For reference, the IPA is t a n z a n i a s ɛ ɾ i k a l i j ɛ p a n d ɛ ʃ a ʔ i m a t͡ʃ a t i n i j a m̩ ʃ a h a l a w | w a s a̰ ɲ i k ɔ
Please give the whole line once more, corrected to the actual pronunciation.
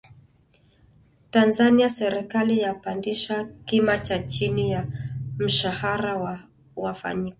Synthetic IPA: t a n z a n i a s ɛ ɾ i k a l i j a p a n d i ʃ a k i m a t͡ʃ a t͡ʃ i n i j a m̩ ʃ a h a ɾ a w | w a f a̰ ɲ i k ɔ